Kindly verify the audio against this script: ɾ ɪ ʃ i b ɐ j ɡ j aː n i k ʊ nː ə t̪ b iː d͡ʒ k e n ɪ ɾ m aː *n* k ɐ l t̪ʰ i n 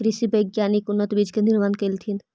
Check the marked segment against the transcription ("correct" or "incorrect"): correct